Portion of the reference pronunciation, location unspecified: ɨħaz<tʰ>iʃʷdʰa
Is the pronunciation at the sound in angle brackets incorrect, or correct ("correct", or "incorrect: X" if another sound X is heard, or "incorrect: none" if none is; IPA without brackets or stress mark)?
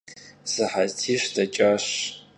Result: correct